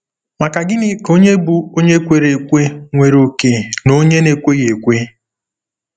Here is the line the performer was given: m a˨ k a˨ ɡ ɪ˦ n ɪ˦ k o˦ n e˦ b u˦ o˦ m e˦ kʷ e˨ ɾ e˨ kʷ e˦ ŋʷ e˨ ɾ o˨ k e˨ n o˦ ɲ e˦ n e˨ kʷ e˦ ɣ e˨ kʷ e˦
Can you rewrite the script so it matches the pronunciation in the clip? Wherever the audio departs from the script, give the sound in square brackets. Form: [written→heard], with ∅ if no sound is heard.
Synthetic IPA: m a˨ k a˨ ɡ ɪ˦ n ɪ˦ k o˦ [n→ɲ] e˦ b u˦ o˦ [m→ɲ] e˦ kʷ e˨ ɾ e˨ kʷ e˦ ŋʷ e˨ ɾ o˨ k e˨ n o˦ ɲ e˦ n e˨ kʷ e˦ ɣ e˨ kʷ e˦